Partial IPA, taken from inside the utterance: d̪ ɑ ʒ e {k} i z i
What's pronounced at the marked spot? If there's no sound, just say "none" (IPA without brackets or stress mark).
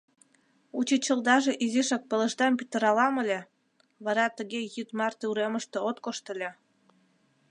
ʔ